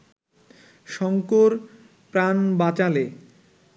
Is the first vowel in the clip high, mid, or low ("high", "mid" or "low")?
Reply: mid